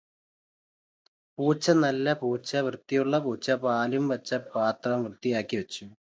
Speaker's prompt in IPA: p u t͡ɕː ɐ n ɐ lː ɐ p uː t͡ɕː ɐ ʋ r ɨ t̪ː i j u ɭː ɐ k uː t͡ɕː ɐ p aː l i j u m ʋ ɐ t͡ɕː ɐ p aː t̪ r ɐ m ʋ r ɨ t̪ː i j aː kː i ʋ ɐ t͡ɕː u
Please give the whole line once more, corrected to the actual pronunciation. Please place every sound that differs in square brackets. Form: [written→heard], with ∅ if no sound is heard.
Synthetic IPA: p [u→uː] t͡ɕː ɐ n ɐ lː ɐ p uː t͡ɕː ɐ ʋ r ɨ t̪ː i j u ɭː ɐ [k→p] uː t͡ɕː ɐ p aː l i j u m ʋ ɐ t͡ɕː ɐ p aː t̪ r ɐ m ʋ r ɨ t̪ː i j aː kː i ʋ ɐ t͡ɕː u

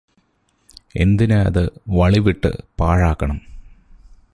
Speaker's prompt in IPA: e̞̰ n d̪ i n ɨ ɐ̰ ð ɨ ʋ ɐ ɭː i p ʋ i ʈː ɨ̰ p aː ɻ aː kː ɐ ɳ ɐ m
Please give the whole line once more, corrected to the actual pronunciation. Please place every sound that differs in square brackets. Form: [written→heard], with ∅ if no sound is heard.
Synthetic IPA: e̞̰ n d̪ i n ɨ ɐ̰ ð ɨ ʋ ɐ [ɭː→ɭ] i [p→∅] ʋ i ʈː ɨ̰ p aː ɻ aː kː ɐ ɳ ɐ m

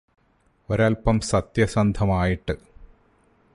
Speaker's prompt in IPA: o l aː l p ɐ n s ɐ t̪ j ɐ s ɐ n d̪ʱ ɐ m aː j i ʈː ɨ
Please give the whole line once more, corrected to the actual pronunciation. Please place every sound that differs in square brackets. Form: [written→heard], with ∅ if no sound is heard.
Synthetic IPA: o [l→ɾ] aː l p ɐ [n→m] s ɐ t̪ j ɐ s ɐ n d̪ʱ ɐ m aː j i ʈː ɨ

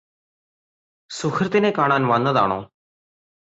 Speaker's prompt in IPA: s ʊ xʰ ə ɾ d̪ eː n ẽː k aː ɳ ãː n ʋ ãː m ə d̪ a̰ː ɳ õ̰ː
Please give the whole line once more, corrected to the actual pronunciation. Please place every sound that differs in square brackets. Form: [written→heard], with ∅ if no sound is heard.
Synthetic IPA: s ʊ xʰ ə ɾ [d̪→t̪] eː n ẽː k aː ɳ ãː n ʋ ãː [m→n] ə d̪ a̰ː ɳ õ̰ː

